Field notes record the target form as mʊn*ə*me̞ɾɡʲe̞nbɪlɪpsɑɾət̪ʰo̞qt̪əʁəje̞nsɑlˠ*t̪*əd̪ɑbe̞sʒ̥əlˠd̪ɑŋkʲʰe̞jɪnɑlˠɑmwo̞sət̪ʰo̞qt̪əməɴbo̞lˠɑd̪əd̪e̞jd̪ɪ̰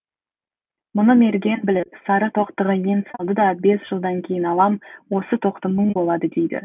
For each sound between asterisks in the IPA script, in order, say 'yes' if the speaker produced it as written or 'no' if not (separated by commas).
yes, no